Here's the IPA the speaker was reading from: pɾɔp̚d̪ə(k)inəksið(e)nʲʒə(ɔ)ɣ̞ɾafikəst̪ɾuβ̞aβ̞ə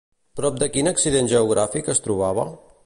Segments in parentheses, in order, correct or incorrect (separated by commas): correct, correct, incorrect